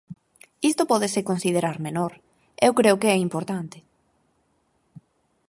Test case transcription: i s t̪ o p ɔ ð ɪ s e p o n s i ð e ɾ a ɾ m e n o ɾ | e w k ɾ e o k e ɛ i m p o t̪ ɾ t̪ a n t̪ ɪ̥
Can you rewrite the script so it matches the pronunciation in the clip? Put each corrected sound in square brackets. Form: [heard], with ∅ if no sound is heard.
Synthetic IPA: i s t̪ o p ɔ ð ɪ s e [k] o n s i ð e ɾ a ɾ m e n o ɾ | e w k ɾ e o k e ɛ i m p o [∅] ɾ t̪ a n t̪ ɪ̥